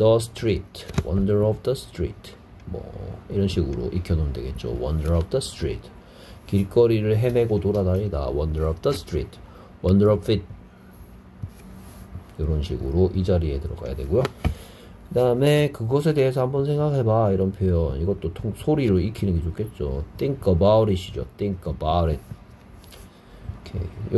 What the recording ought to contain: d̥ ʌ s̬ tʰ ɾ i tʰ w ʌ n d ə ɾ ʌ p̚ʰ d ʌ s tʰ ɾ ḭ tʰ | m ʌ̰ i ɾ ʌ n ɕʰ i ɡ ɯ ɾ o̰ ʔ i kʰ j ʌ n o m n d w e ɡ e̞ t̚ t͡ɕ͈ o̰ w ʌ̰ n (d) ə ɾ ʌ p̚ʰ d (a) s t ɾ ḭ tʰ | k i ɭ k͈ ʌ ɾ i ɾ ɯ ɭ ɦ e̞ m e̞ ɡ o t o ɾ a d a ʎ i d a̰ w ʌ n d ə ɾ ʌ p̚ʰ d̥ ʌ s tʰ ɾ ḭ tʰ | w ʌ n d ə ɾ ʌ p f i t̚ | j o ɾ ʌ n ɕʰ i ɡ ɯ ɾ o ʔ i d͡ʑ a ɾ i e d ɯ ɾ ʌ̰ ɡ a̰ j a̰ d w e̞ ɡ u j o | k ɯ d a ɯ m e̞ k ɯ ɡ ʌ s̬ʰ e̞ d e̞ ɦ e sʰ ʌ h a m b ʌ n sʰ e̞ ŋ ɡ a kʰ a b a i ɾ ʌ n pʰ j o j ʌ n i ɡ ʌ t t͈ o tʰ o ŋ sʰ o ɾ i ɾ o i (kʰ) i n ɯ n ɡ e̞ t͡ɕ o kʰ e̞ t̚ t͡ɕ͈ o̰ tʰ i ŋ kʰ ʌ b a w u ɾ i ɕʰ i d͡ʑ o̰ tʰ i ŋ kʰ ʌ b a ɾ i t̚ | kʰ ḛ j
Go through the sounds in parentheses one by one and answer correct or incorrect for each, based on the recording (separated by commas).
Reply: correct, incorrect, correct